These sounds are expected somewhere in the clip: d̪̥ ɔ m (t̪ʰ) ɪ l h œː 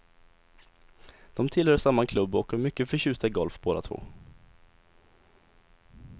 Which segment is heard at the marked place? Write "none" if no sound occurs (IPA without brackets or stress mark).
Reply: t̪ʰ